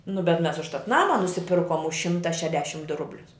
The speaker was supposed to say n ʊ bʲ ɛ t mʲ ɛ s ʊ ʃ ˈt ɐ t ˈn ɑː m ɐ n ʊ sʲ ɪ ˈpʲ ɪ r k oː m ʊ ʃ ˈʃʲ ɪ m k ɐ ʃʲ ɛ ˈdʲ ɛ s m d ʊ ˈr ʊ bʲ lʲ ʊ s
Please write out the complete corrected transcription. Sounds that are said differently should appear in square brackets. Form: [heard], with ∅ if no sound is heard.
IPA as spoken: n ʊ bʲ ɛ t mʲ ɛ s ʊ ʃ ˈt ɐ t ˈn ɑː m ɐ n ʊ sʲ ɪ ˈpʲ ɪ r k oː m ʊ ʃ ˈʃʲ ɪ m [t] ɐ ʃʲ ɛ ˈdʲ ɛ [ʃ] m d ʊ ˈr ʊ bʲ lʲ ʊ s